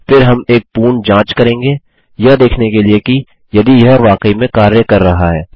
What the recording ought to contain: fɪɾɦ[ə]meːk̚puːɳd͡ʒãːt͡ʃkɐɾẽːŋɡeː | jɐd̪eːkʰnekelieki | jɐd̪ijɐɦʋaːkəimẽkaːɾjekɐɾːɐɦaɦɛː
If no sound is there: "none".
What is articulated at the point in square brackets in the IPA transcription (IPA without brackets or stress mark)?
ɐ